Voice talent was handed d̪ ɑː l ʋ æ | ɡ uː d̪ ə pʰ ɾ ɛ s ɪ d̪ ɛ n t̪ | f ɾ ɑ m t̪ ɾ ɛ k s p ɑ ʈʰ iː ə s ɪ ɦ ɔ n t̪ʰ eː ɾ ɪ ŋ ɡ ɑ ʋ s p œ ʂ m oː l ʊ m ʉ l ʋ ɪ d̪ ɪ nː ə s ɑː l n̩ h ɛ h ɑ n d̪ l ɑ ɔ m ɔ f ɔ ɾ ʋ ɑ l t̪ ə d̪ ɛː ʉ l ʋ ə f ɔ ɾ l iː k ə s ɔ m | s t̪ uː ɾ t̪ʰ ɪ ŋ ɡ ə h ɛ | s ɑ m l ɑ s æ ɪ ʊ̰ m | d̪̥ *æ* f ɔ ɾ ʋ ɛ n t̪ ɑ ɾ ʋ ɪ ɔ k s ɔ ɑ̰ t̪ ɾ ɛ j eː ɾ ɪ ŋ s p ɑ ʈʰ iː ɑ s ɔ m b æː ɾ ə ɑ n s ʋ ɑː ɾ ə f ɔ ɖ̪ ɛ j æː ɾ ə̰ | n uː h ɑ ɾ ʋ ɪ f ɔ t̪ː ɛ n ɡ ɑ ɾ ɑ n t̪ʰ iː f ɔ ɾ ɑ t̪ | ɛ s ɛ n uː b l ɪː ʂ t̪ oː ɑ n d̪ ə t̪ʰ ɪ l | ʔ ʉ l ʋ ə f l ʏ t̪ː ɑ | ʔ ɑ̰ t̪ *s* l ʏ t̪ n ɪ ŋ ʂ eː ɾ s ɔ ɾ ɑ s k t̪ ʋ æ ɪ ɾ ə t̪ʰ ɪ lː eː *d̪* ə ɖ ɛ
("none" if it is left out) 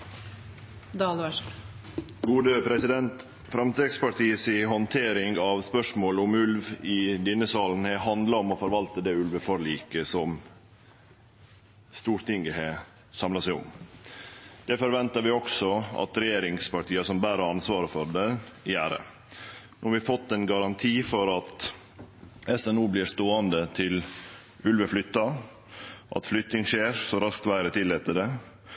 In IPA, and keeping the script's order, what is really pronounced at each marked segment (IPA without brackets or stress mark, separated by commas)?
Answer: ɛ, f, t̪